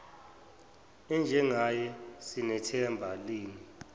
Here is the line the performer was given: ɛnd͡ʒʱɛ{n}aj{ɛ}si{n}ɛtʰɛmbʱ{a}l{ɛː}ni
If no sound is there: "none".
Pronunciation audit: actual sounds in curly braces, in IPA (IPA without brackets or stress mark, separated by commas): ŋ, ɛ, n, a, iː